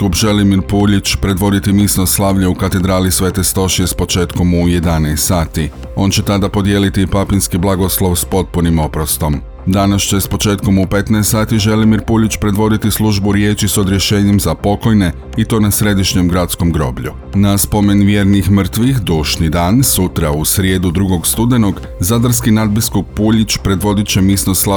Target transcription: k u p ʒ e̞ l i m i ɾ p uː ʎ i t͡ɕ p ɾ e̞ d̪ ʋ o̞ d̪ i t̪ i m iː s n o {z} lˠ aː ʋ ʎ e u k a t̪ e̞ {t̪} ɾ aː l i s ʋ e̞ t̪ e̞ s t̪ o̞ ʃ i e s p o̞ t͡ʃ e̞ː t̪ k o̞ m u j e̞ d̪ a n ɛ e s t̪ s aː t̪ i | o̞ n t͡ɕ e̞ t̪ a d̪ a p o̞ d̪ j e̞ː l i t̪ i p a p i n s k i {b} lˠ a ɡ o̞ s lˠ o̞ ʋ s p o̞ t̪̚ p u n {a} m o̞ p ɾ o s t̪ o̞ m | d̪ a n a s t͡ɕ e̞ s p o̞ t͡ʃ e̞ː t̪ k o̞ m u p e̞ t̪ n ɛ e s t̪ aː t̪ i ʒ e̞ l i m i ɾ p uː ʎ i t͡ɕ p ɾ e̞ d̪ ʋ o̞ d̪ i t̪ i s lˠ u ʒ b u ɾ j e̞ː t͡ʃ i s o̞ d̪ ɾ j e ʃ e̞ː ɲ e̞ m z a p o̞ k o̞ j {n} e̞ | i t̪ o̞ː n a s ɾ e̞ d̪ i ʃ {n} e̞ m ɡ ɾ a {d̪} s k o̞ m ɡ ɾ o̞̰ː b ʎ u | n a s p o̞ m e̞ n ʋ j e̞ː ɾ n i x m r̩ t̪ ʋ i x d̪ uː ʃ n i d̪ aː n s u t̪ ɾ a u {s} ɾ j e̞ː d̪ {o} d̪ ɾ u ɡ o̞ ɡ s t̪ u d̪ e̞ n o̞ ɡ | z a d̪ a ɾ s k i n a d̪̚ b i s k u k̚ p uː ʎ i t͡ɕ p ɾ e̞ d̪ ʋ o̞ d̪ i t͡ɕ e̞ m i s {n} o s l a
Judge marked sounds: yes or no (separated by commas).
no, no, yes, no, yes, no, no, yes, no, yes